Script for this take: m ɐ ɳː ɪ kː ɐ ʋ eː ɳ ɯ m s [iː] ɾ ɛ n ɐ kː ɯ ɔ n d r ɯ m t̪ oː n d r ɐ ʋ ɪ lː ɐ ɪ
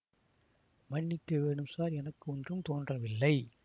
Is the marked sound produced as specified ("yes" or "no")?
no